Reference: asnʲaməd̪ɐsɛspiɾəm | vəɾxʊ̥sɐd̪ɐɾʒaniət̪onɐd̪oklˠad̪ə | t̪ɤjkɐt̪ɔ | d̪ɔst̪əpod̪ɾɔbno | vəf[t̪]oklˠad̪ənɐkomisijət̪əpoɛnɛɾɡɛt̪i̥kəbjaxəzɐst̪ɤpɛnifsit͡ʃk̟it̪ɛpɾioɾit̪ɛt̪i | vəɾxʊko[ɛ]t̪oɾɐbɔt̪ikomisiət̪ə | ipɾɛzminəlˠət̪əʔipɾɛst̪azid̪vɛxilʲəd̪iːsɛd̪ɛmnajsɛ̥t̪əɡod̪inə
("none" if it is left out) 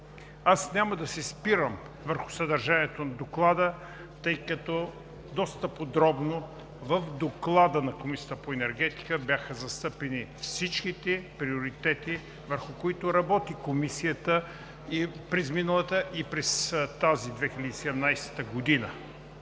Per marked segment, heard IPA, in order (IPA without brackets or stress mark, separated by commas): d̪, i